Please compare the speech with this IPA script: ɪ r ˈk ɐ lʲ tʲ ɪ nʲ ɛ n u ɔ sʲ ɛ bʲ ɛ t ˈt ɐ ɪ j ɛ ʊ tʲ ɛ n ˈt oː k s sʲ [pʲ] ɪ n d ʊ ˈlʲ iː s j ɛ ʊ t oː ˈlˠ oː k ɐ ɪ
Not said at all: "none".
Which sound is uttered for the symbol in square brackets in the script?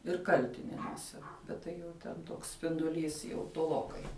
pʲ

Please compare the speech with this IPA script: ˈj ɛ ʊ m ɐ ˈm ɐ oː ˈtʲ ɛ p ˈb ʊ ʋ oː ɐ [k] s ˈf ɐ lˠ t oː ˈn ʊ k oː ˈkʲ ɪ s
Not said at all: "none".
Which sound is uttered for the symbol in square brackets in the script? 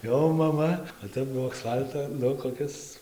k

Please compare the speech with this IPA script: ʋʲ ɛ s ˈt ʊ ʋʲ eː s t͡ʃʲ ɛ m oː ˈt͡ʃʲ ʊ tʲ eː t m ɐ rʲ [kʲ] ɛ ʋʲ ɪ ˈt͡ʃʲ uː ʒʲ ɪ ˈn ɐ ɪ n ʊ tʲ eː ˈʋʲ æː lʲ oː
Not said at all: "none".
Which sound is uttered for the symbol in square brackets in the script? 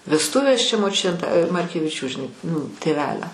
kʲ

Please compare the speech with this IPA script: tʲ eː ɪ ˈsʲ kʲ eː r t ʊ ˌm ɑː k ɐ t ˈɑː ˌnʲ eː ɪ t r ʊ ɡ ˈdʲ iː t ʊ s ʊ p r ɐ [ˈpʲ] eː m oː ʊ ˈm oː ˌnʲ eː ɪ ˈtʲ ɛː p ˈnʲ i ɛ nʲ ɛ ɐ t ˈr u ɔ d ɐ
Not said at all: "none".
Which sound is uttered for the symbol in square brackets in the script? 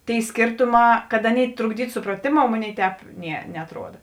tʲ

